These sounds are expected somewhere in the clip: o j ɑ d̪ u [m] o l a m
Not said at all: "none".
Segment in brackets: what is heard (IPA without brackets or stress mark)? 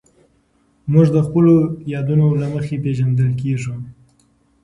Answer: n